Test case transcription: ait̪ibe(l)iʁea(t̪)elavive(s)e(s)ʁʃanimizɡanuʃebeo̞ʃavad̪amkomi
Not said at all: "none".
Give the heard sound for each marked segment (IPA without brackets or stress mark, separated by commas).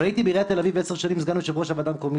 none, t̪, s, none